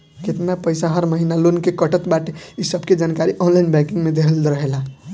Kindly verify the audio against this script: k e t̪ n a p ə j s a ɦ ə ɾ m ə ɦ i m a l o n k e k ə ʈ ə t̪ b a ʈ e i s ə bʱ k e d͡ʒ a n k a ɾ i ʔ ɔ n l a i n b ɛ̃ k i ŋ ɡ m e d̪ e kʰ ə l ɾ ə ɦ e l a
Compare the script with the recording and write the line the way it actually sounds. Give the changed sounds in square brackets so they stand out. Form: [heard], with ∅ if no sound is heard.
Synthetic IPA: k e t̪ n a p ə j s a ɦ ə ɾ m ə ɦ i [n] a l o n k e k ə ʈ ə t̪ b a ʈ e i s ə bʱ k e d͡ʒ a n k a ɾ i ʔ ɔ n l a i n b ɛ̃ k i ŋ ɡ m e d̪ e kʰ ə l ɾ ə ɦ e l a